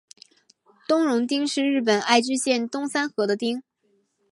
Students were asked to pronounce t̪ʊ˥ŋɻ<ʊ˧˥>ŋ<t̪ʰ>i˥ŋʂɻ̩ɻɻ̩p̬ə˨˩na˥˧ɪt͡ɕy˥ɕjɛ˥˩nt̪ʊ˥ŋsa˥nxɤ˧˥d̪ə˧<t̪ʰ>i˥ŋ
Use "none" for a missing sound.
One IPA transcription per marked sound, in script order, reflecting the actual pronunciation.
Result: ʊ˧˥, t̪, t̪

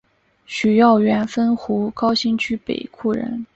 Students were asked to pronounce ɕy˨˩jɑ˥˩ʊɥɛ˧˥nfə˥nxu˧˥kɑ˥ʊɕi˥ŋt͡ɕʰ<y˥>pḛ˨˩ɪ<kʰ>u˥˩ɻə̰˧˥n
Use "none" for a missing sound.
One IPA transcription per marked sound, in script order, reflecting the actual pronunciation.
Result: y˥, kʰ

